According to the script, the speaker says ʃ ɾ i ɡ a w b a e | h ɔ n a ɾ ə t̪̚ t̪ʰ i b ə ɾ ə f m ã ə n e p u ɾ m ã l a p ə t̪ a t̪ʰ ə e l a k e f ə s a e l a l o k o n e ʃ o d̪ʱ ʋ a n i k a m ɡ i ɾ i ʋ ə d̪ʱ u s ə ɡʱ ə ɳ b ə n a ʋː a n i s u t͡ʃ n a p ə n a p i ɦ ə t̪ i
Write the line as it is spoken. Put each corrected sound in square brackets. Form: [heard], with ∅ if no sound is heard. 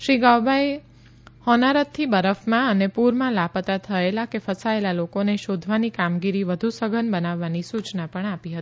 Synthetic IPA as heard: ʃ ɾ i ɡ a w b a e | h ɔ n a ɾ ə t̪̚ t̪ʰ i b ə ɾ ə f m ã ə n e p u ɾ m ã l a p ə t̪ a t̪ʰ ə e l a k e f ə s a e l a l o k o n e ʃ o d̪ʱ ʋ a n i k a m ɡ i ɾ i ʋ ə d̪ʱ u s ə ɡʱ ə [n] b ə n a ʋː a n i s u t͡ʃ n a p ə [ɳ] a p i ɦ ə t̪ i